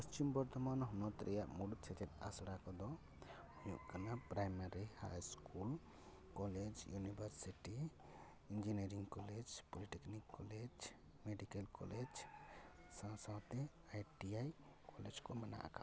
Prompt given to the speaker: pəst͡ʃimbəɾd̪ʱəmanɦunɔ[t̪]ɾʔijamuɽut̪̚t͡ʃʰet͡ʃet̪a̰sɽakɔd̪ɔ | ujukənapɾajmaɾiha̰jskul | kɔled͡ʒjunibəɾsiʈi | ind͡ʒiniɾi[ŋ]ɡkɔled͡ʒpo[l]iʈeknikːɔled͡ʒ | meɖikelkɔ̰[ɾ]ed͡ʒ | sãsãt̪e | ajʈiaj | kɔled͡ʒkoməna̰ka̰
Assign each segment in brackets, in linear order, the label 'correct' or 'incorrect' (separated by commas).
correct, correct, correct, incorrect